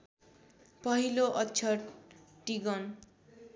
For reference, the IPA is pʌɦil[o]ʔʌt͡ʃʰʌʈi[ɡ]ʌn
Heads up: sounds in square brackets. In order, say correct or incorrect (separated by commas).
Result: correct, correct